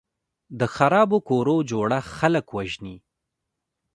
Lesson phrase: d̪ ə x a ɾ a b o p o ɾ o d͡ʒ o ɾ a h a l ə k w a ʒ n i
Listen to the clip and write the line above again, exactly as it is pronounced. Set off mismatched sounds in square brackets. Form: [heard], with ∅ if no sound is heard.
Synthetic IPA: d̪ ə x a ɾ [ɑ] b o [k] o ɾ o d͡ʒ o [ɽ] a [x] a l ə k w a ʒ n i